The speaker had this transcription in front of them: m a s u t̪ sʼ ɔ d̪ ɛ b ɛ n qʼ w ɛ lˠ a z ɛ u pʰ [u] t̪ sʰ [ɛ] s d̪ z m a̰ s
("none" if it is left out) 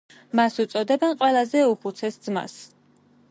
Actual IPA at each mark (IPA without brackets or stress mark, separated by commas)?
u, ɛ